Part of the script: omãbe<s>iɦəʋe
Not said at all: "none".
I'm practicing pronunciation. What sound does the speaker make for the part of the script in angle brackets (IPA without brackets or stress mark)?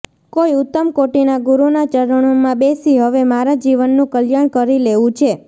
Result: s